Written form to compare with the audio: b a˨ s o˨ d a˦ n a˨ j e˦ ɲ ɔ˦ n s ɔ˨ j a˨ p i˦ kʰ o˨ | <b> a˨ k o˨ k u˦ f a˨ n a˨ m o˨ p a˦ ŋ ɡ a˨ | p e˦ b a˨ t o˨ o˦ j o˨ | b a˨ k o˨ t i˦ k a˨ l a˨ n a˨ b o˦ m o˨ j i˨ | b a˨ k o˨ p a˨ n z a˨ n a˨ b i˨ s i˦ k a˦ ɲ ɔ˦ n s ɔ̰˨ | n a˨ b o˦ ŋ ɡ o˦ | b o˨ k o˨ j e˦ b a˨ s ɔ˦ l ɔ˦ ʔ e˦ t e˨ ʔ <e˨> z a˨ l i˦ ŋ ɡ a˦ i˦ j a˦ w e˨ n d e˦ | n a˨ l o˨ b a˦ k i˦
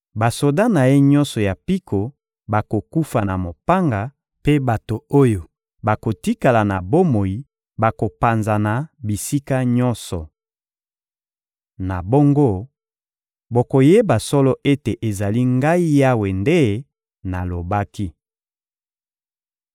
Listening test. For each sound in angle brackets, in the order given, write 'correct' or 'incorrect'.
correct, correct

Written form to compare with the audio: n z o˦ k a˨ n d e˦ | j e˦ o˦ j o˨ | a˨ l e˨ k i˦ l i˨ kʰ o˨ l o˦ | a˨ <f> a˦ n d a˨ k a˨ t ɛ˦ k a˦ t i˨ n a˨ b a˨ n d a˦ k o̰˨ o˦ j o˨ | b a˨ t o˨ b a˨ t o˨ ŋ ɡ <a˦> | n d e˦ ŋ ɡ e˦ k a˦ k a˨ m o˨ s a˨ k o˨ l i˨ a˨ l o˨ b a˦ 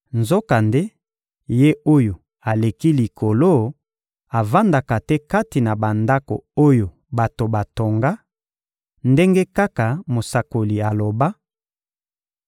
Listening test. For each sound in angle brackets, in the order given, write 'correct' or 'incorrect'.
incorrect: v, correct

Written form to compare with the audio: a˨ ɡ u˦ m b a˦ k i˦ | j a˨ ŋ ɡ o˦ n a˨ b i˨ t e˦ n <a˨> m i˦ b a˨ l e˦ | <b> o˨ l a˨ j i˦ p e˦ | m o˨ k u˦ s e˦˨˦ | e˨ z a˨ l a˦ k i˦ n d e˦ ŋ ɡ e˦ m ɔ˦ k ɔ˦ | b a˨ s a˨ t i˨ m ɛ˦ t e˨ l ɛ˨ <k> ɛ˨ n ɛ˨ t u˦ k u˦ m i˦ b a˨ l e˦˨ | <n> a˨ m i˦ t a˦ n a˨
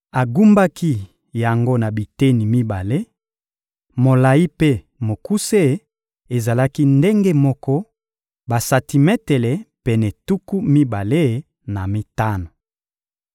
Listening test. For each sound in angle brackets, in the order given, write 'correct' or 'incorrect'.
incorrect: i˨, incorrect: m, incorrect: p, correct

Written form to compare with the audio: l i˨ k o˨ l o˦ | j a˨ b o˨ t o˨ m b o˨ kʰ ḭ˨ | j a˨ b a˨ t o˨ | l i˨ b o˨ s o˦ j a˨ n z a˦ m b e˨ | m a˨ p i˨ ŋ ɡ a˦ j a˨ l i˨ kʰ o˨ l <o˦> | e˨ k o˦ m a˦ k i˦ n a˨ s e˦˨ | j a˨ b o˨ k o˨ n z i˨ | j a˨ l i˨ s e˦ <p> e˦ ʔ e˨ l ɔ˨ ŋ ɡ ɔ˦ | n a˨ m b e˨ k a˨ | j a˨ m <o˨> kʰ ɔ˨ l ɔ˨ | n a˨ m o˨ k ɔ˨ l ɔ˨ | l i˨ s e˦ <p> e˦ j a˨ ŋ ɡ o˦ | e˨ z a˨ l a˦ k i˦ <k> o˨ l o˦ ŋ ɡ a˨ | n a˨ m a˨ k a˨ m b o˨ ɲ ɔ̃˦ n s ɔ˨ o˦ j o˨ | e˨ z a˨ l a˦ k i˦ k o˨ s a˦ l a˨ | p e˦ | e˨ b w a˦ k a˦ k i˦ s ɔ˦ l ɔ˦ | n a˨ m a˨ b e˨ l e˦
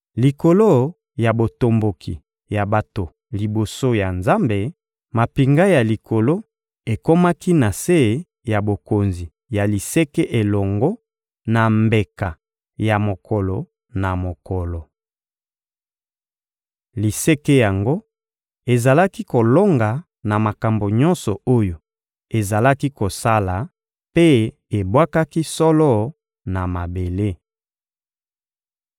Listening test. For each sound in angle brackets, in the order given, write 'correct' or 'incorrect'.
correct, incorrect: k, correct, incorrect: k, correct

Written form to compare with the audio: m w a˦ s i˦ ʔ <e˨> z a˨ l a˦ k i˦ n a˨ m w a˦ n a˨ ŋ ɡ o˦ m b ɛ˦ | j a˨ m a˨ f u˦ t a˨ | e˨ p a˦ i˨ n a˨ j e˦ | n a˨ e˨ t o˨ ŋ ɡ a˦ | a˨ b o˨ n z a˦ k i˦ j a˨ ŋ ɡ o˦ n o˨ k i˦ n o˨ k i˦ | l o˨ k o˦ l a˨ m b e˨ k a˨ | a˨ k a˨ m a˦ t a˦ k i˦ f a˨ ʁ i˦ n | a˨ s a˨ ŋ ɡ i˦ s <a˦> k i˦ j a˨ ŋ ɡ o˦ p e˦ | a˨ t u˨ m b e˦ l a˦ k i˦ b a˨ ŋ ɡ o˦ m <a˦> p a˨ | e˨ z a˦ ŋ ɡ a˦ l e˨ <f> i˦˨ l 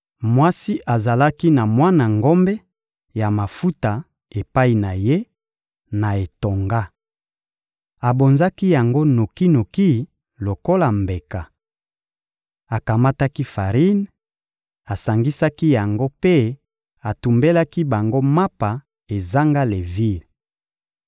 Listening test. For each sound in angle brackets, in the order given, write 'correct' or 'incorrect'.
incorrect: a˨, correct, correct, incorrect: v

